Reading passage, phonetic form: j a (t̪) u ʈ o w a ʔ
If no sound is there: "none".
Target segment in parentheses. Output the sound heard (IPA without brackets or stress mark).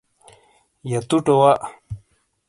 t̪